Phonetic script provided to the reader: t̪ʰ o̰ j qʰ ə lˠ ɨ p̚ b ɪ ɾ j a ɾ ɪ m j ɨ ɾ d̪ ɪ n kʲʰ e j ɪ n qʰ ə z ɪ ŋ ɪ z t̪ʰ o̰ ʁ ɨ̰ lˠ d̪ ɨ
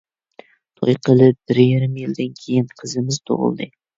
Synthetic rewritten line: t̪ʰ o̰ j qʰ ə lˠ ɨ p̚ b ɪ ɾ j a ɾ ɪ m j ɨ l d̪ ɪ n kʲʰ e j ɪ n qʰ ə z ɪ m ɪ z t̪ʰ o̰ ʁ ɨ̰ lˠ d̪ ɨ